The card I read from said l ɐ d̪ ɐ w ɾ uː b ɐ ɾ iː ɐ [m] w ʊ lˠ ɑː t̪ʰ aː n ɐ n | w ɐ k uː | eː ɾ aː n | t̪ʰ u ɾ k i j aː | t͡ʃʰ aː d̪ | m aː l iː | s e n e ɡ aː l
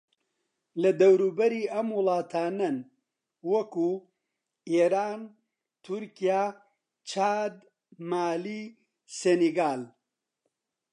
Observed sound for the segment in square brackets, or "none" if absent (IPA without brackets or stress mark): m